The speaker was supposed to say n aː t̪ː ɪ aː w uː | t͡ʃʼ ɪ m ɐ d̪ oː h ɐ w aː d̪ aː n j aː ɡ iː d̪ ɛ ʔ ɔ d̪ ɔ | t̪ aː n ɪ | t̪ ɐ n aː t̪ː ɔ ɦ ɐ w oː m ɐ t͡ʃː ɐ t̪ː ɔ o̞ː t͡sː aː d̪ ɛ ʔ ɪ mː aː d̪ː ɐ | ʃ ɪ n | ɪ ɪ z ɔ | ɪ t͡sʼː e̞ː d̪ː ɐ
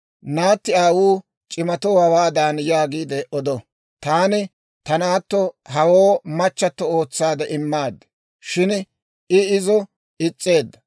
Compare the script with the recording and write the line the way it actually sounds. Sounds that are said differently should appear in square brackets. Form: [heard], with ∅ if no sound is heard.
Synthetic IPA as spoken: n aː t̪ː ɪ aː w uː | t͡ʃʼ ɪ m ɐ [t̪] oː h ɐ w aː d̪ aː n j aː ɡ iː d̪ ɛ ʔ ɔ d̪ ɔ | t̪ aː n ɪ | t̪ ɐ n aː t̪ː ɔ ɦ ɐ w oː m ɐ t͡ʃː ɐ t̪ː ɔ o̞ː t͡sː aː d̪ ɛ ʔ ɪ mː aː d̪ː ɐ | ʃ ɪ n | ɪ ɪ z ɔ | ɪ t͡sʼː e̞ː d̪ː ɐ